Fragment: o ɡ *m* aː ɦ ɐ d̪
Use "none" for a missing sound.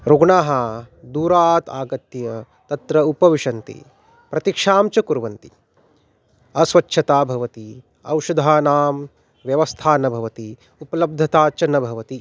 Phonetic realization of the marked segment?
ɳ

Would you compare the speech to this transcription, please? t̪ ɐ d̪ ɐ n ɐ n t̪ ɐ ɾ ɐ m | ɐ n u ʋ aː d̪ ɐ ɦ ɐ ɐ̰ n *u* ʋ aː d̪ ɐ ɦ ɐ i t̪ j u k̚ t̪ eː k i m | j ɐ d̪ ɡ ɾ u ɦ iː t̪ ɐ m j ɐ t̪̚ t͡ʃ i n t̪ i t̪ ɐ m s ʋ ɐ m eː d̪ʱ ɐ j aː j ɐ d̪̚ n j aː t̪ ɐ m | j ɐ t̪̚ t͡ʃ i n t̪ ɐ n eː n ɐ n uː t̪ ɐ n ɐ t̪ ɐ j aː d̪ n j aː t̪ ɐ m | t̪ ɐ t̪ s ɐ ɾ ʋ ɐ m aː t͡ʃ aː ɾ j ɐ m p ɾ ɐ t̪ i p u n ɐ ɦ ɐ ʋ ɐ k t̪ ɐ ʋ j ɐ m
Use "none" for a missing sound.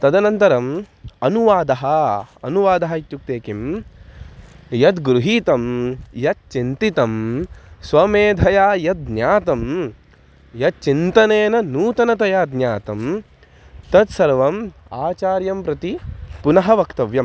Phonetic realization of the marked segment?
u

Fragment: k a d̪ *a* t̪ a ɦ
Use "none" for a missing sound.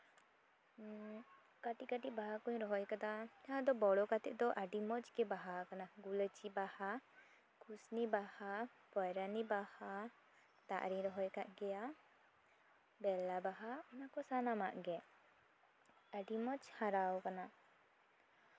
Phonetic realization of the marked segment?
a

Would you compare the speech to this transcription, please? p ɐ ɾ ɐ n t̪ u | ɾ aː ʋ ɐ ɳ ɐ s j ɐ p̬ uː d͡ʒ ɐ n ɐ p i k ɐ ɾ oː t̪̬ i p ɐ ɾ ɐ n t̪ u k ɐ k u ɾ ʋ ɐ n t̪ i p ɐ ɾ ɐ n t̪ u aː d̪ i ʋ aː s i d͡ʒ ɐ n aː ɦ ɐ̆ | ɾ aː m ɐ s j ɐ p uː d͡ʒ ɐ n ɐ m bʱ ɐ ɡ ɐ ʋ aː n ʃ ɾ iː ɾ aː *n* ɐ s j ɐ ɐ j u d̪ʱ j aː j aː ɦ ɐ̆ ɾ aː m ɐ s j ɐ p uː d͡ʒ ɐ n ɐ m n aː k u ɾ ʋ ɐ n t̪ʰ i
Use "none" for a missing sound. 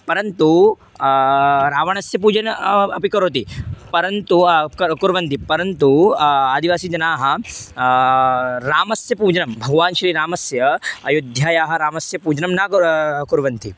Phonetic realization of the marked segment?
m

